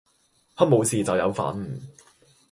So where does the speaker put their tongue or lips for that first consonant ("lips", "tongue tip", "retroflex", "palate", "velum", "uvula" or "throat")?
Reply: throat